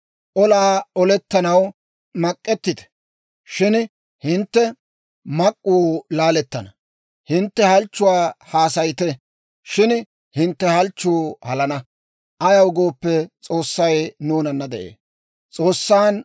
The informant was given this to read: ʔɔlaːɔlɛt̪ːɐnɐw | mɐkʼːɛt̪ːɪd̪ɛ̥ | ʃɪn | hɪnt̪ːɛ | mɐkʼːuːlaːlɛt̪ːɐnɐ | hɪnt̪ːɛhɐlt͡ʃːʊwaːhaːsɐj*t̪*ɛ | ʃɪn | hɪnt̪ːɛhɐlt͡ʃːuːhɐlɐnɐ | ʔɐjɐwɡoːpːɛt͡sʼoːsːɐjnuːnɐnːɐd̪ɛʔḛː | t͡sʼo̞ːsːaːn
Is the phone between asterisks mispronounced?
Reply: no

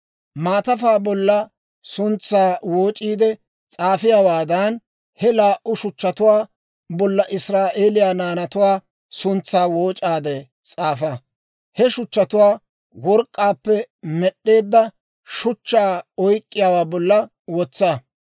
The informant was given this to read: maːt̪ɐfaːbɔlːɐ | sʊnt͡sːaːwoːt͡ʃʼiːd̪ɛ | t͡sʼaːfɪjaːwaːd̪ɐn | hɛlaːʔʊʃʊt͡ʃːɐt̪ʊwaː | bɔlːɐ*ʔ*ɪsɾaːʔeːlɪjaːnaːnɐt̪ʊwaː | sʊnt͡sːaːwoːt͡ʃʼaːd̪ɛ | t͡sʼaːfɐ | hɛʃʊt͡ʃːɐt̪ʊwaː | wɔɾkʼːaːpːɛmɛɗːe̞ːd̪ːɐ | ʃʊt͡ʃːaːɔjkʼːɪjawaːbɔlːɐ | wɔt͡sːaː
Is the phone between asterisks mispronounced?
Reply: no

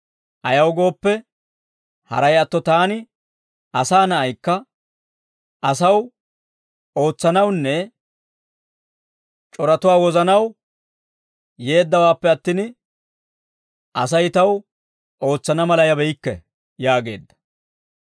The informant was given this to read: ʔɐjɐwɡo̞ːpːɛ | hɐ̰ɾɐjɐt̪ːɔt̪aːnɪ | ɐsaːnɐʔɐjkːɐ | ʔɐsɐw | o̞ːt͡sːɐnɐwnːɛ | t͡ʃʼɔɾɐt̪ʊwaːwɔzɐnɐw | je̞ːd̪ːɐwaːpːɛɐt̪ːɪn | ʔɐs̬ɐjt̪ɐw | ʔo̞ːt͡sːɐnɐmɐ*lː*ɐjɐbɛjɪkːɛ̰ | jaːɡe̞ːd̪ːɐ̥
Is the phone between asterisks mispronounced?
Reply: yes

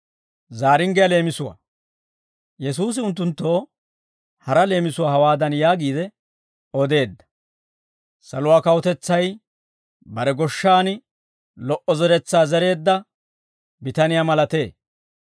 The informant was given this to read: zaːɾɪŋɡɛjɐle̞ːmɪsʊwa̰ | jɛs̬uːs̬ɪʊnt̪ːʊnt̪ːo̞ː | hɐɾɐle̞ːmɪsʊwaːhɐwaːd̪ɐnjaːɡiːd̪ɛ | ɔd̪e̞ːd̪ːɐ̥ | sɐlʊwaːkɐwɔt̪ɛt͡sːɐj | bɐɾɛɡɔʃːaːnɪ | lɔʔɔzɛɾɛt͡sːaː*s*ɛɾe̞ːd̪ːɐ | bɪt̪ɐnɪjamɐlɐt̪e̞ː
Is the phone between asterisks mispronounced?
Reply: yes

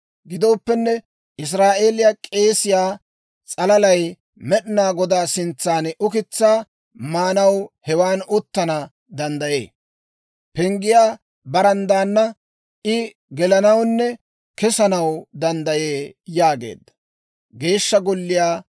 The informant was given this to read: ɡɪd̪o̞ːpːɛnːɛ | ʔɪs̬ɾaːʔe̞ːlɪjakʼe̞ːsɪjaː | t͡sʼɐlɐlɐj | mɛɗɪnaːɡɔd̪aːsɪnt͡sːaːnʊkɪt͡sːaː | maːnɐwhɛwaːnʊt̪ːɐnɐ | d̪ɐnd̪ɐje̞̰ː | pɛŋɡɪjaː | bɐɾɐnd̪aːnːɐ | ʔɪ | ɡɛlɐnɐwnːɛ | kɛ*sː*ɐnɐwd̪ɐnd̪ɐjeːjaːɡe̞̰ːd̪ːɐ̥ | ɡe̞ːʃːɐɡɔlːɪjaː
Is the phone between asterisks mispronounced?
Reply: yes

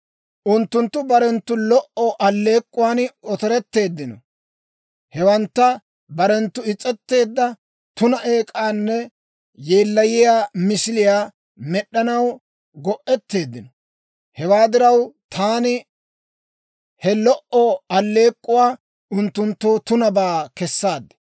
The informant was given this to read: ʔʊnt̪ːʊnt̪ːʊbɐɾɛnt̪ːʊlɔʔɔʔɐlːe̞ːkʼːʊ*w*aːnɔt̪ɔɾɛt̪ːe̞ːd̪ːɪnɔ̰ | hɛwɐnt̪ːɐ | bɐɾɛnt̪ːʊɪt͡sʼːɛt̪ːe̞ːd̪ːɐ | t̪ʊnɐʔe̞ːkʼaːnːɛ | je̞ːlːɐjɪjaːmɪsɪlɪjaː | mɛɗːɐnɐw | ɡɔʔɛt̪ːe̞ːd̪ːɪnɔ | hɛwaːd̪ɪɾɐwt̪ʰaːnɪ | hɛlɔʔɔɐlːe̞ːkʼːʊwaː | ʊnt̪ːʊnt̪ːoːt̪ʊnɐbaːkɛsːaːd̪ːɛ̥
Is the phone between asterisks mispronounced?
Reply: no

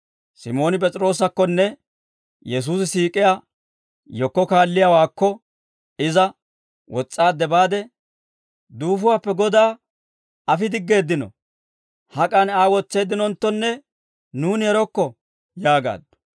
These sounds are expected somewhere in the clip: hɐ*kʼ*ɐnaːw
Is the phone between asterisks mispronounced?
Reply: no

